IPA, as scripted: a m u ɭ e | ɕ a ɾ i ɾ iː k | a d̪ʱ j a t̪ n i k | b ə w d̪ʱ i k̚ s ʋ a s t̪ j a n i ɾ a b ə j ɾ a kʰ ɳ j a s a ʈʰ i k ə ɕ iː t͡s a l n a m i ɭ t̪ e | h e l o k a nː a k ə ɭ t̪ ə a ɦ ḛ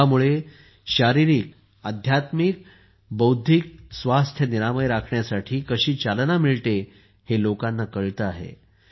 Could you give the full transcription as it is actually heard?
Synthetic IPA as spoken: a m u ɭ e | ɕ a ɾ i ɾ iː k | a d̪ʱ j a t̪ m i k | b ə w d̪ʱ i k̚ s ʋ a s t̪ʰ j ə n i ɾ a m ə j ɾ a kʰ ɳ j a s a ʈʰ iː k ə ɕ iː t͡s a l n a m i ɭ t̪ e | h e l o k a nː a k ə ɭ t̪ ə a ɦ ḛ